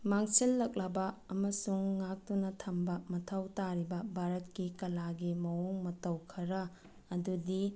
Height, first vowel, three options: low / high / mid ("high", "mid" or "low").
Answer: low